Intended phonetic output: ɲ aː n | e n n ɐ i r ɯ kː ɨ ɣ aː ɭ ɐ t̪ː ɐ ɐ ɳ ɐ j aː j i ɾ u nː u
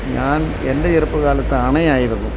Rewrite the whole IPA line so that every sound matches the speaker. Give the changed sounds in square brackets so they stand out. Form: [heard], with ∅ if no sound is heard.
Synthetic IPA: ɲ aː n | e n [d] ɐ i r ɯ [pː] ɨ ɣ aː [l] ɐ t̪ː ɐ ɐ ɳ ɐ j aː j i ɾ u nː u